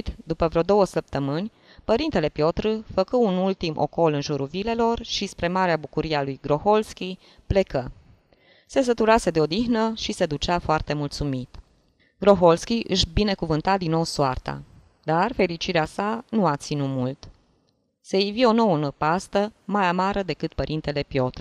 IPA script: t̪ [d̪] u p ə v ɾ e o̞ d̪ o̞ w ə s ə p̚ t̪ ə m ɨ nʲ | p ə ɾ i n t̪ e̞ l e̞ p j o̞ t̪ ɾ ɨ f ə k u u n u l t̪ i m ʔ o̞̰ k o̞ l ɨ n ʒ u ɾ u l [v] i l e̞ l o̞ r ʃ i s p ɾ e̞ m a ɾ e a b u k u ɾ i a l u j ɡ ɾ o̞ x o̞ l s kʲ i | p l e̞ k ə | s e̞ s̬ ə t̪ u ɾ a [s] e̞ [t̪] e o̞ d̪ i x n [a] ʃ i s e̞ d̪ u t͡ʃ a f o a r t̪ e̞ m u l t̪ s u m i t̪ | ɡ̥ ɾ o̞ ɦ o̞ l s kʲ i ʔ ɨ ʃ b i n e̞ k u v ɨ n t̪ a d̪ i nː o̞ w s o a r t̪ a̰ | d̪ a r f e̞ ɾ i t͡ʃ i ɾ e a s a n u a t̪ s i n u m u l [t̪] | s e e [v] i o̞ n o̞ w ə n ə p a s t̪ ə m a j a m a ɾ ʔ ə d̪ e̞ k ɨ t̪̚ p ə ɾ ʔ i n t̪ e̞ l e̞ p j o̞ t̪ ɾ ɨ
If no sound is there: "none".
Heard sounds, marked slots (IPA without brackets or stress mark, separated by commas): d̪, v, s, d̪, ə, t̪, v